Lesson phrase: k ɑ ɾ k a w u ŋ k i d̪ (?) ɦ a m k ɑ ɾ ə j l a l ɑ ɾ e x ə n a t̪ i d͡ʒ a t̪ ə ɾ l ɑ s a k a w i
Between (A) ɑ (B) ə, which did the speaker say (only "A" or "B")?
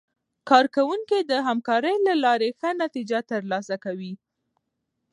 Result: B